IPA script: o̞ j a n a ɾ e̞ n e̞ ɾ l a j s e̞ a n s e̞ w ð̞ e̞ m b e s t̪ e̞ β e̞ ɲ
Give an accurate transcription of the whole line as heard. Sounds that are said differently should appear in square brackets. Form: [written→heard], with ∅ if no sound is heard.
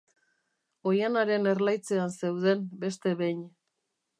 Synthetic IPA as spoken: o̞ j a n a ɾ e̞ n e̞ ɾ l a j [s→t͡s] e̞ a n s e̞ w ð̞ e̞ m b e s t̪ e̞ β e̞ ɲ